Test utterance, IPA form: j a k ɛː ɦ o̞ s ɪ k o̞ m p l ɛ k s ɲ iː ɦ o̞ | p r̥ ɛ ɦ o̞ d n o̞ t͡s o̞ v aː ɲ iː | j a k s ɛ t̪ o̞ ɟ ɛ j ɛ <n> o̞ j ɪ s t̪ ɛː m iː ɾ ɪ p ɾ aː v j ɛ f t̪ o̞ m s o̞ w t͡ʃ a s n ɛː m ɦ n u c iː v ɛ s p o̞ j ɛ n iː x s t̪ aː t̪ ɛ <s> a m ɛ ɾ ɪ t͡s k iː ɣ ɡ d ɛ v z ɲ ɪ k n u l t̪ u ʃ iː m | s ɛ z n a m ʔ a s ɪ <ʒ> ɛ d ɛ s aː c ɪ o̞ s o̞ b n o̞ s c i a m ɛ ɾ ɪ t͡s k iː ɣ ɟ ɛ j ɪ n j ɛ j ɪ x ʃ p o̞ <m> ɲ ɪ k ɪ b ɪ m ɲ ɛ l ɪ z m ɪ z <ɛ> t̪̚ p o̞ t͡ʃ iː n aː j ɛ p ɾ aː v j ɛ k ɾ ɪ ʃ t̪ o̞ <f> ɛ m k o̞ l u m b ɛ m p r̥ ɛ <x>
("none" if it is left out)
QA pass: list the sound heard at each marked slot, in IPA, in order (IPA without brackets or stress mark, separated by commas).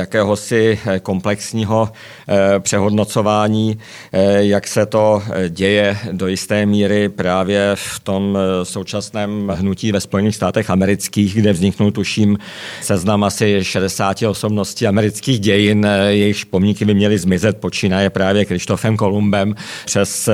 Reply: d, x, ʃ, m, ɛ, f, s